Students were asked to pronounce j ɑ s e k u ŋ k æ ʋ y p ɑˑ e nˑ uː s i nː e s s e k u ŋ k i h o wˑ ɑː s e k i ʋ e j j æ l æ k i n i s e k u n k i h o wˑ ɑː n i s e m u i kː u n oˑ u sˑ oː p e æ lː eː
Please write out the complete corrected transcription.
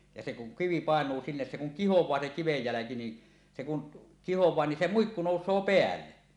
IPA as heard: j ɑ s e k u ŋ k i ʋ i p ɑˑ e nˑ uː s i nː e s s e k u ŋ k i h o wˑ ɑː s e k i ʋ e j j æ l æ k i n i s e k u n k i h o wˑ ɑː n i s e m u i kː u n oˑ u sˑ oː p e æ lː e